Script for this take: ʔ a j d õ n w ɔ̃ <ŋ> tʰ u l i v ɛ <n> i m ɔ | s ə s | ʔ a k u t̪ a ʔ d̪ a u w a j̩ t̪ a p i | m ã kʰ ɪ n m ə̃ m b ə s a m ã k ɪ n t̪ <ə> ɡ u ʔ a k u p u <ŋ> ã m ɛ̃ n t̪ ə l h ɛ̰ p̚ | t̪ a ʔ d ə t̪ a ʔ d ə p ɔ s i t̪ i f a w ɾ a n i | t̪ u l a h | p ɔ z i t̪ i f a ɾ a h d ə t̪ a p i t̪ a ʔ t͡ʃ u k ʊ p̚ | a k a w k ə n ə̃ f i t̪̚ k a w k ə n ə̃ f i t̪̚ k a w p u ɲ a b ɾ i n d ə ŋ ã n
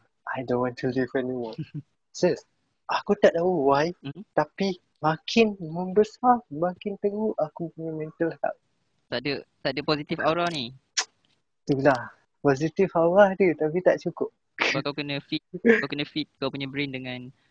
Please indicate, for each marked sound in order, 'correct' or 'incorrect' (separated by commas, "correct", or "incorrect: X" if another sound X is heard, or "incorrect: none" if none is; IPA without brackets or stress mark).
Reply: incorrect: n, correct, correct, incorrect: ɲ